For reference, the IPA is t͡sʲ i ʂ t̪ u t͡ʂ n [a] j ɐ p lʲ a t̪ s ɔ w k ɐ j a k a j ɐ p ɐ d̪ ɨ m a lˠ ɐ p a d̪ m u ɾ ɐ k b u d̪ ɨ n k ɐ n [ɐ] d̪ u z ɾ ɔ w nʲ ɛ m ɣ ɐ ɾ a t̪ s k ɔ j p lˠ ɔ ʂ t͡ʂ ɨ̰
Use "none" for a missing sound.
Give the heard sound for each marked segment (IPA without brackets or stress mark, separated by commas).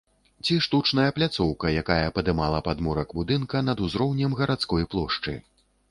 ɐ, ɐ